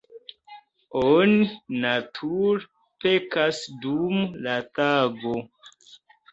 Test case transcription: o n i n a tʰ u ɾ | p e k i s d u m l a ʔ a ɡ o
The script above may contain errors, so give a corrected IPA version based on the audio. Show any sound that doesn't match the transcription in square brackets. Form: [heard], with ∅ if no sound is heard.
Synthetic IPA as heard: o n i n a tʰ u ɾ | p e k [a] s d u m l a [t] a ɡ o

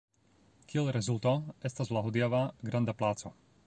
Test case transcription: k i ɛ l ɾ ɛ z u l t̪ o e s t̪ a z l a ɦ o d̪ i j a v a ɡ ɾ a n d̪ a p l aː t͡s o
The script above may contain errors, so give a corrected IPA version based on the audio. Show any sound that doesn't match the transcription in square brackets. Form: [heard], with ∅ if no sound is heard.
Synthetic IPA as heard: k i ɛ l ɾ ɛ z u l t̪ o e s t̪ a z l a ɦ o d̪ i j a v a ɡ ɾ a n d̪ a p l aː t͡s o

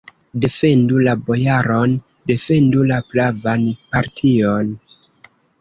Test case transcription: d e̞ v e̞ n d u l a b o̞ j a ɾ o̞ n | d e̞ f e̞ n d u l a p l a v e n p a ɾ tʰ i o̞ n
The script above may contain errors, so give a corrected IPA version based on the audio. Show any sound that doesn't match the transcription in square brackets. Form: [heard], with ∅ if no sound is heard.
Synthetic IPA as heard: d e̞ [f] e̞ n d u l a b o̞ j a ɾ o̞ n | d e̞ f e̞ n d u l a p l a v [a] n p a ɾ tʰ i o̞ n

